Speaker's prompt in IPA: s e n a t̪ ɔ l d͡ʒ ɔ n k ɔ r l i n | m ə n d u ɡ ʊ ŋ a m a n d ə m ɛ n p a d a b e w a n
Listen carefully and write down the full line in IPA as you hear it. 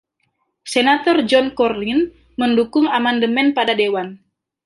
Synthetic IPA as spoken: s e n a t̪ ɔ r d͡ʒ ɔ n k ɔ r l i n | m ə n d u k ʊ ŋ a m a n d ə m ɛ n p a d a d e w a n